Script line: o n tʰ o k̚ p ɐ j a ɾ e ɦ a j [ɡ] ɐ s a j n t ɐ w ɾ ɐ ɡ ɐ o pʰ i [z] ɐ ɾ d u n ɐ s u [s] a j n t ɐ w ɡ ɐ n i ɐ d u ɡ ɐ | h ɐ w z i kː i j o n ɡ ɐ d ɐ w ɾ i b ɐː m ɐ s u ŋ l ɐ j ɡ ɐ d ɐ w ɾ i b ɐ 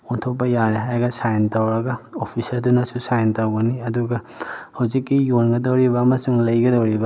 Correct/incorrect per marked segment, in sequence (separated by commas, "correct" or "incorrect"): correct, incorrect, correct